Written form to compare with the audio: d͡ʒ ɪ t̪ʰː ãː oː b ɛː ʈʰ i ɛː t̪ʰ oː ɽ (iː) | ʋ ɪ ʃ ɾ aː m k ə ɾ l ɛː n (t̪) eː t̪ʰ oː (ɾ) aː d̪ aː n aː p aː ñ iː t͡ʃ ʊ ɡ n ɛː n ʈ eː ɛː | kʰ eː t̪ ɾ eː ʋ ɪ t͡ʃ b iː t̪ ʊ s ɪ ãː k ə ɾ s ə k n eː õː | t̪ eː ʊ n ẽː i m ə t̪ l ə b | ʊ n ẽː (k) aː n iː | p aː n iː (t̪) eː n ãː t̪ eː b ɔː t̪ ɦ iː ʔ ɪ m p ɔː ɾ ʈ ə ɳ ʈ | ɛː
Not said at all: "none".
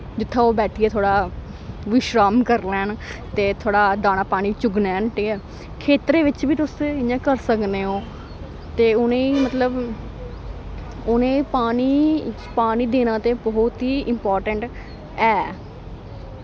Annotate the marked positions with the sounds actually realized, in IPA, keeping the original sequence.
aː, t̪, ɽ, p, d̪

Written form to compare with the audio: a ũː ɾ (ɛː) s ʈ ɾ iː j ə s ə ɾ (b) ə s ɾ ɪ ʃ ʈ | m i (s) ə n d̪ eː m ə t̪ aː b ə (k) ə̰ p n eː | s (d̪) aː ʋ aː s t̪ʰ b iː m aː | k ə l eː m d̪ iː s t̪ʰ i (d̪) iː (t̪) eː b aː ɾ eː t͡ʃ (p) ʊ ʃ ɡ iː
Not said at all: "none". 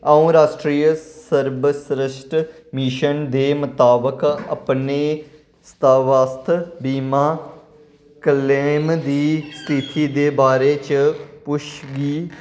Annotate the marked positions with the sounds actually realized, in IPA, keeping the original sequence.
aː, b, ʃ, k, t̪, t̪, d̪, p

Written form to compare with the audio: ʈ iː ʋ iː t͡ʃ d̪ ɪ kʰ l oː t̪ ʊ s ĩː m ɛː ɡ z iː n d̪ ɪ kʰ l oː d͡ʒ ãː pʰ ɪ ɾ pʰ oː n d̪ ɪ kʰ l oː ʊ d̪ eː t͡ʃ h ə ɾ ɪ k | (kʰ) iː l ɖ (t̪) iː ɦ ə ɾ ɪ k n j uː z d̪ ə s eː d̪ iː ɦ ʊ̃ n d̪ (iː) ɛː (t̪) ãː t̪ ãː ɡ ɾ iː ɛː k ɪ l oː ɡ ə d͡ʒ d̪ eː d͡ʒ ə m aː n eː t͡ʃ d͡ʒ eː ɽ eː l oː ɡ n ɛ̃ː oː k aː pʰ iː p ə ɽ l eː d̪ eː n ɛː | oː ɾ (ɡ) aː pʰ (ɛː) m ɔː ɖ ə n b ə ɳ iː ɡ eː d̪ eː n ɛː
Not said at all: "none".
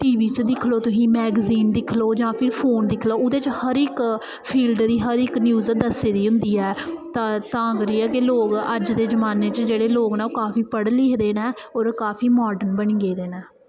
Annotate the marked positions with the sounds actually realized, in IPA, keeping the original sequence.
pʰ, d̪, iː, t̪, k, iː

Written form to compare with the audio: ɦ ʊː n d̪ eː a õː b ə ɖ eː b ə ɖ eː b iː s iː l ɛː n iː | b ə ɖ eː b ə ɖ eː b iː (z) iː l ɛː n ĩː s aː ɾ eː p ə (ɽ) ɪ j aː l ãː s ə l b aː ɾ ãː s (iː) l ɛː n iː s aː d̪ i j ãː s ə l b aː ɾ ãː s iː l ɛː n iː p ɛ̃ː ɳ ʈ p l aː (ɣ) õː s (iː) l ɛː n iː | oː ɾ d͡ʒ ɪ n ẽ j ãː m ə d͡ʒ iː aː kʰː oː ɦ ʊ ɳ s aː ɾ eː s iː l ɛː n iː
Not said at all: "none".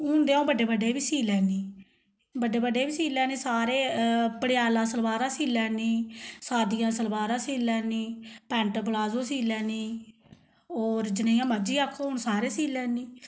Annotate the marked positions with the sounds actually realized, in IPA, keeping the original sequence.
s, ɽ, iː, z, iː

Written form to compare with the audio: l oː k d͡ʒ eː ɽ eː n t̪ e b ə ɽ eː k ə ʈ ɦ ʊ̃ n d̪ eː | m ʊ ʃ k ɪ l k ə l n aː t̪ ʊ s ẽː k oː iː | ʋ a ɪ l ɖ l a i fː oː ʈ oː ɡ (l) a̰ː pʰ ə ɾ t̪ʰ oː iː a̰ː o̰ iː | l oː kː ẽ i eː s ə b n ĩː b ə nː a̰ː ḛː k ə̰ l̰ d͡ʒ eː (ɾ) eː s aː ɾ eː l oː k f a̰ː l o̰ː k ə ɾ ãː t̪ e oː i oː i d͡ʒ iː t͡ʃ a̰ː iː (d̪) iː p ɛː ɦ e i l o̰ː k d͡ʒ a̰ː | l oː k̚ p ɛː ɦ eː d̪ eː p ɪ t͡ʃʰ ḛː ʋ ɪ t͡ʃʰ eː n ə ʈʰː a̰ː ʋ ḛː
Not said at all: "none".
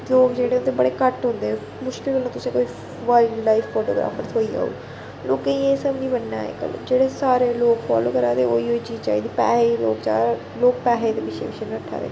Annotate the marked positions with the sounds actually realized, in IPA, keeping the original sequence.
ɾ, ɽ, d̪

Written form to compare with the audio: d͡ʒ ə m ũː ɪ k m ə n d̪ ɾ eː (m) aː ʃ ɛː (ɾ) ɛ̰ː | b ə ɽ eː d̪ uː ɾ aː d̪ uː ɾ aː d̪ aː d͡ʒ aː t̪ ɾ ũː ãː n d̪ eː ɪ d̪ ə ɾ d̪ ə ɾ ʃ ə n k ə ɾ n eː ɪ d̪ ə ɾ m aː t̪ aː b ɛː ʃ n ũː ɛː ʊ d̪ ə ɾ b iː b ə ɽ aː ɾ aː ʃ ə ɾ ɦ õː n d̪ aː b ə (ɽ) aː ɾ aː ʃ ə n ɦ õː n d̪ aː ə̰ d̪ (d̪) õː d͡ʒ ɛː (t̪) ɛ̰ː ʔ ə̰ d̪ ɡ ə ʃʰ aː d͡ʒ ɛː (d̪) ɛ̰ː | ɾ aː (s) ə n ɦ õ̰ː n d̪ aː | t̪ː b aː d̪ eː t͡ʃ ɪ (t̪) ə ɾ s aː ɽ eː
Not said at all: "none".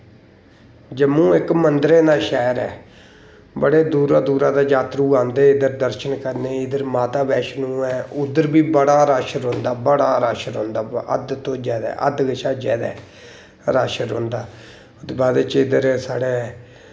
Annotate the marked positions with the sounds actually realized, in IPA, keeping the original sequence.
n, ɾ, ɽ, t̪, d̪, d̪, ʃ, d̪

